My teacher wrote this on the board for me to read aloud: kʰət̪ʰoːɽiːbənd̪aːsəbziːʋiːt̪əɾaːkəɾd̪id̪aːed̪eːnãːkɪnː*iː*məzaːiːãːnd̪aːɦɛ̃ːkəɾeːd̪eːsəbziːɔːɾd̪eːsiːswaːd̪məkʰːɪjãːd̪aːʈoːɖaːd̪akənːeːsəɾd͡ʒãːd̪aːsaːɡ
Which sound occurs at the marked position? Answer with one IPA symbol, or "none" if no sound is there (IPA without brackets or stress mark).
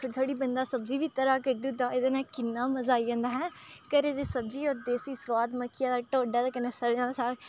aː